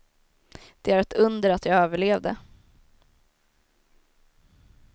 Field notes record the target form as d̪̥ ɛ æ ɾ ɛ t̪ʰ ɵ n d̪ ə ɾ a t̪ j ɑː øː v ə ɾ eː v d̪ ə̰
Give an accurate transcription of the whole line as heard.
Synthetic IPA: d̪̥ ɛ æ ɾ ɛ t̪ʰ ɵ n d̪ ə ɾ a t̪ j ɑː øː v ə ɭ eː v d̪ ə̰